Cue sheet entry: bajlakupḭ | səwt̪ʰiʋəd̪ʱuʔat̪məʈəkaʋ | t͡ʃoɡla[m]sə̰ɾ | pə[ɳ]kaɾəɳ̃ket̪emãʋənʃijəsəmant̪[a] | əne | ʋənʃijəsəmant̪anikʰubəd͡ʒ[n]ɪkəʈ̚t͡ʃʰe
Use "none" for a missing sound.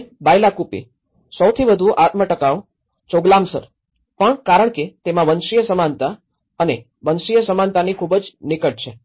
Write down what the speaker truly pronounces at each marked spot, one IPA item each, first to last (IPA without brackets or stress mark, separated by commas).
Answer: m, ɳ, a, n